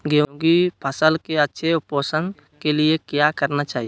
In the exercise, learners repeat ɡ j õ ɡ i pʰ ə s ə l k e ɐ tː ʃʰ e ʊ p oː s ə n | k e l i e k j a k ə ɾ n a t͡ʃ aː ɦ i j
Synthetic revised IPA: ɡ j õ ɡ i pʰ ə s ə l k e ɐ tː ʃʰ e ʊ p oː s ə n | k e l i e k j a k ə ɾ n a t͡ʃ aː ɦ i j